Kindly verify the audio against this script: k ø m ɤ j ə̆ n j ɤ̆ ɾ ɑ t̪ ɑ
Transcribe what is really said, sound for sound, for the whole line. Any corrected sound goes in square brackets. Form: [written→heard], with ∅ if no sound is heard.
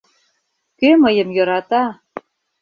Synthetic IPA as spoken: k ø m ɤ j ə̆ [n→m] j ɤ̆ ɾ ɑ t̪ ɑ